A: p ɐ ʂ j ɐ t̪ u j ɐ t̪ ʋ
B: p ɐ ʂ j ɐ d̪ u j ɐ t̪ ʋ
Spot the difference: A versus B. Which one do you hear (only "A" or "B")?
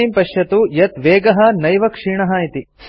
A